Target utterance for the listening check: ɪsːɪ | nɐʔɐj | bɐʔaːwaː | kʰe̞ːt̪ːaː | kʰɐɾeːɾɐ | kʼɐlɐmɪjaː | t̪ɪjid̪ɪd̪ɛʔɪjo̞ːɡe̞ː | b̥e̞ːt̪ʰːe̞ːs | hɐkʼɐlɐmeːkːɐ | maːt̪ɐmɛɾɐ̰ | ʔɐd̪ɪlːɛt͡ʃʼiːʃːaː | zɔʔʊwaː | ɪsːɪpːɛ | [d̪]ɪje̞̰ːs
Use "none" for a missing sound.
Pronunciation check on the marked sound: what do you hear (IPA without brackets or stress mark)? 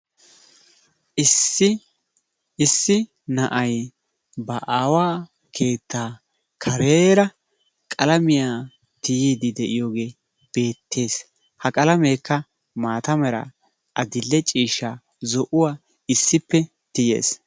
t̪